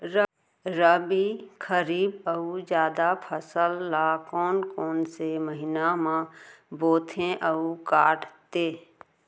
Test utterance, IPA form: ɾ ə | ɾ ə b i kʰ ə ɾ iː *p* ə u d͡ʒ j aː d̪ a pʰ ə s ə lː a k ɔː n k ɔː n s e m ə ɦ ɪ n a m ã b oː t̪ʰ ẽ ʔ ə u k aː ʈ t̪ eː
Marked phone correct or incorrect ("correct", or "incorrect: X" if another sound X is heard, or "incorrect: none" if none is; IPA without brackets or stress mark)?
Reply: incorrect: b